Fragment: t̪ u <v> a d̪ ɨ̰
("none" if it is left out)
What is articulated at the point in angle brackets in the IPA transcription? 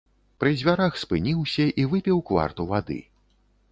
v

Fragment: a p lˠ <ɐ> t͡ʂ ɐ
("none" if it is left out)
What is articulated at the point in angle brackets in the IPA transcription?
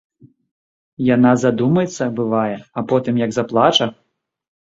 a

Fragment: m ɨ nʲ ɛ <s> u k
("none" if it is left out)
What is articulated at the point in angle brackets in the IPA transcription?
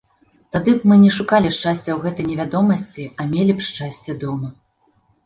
ʂ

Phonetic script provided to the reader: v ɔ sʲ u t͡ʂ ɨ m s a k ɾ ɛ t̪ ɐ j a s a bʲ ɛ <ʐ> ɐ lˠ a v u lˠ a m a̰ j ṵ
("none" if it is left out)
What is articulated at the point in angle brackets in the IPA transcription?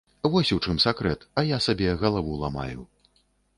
ɣ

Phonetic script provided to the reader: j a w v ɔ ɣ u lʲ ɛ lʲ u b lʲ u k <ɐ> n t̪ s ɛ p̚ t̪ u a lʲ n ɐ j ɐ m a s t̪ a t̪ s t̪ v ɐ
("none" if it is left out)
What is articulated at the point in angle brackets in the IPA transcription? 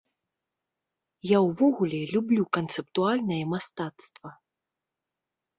ɐ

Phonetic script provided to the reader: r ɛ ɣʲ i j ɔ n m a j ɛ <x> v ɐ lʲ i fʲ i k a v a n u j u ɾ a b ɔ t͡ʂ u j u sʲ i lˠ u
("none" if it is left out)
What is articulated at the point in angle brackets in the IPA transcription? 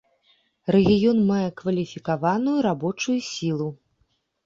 k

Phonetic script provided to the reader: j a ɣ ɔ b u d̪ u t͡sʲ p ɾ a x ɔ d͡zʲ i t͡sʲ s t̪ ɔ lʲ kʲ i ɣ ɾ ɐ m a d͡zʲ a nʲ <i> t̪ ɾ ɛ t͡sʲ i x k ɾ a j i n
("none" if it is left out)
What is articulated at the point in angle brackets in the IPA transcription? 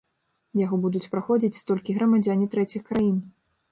i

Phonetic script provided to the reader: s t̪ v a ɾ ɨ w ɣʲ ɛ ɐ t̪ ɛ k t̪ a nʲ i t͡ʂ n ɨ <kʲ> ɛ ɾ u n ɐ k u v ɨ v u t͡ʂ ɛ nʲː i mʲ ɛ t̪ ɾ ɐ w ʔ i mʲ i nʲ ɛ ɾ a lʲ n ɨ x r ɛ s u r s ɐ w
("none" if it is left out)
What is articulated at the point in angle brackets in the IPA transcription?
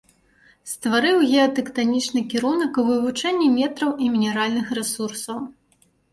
kʲ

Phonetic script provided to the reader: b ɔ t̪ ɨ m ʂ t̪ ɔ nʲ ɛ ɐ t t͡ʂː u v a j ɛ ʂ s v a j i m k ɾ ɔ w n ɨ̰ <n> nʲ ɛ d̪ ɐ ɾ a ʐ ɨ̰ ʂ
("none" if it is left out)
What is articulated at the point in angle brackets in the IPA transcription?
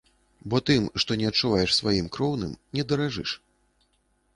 m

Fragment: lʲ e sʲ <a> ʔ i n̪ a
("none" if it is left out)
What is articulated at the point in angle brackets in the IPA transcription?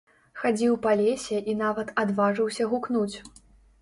ɛ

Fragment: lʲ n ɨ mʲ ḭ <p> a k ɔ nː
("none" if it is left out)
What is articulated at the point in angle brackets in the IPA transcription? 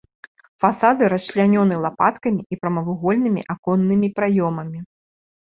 ʔ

